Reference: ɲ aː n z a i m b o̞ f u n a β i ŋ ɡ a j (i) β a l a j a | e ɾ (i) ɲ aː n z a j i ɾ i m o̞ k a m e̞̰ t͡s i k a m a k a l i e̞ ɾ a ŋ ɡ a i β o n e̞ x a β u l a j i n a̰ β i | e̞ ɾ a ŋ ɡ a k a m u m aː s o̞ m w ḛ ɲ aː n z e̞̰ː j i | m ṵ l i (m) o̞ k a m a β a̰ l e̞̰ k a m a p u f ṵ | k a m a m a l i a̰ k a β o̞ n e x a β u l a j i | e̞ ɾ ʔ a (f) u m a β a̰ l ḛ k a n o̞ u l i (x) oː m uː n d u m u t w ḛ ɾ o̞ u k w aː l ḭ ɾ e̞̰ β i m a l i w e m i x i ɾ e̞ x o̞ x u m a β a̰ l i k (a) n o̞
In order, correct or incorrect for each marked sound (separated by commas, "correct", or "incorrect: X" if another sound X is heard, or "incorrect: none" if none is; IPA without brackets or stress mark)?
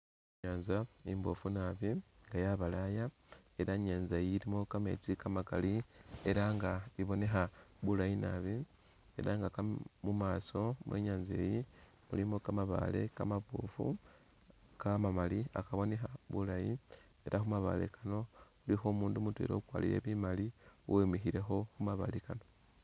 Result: incorrect: a, incorrect: a, correct, incorrect: x, correct, correct